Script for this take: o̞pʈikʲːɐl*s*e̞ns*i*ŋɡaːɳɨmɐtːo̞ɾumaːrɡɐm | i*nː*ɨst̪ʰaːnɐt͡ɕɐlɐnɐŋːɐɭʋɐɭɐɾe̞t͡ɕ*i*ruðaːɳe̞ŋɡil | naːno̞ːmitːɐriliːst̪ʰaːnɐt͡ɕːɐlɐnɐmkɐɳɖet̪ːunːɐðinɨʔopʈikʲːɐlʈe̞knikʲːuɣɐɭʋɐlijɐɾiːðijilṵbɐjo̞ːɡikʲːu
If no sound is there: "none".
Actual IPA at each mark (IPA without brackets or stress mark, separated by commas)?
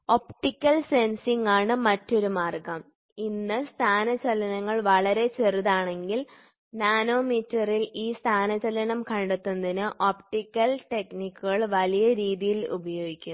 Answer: s, i, nː, e